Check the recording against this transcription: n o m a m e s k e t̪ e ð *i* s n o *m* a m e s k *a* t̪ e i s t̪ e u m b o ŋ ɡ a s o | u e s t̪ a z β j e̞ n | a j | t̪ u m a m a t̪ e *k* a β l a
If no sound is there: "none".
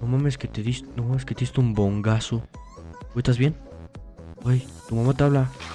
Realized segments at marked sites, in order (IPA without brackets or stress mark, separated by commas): i, m, e, none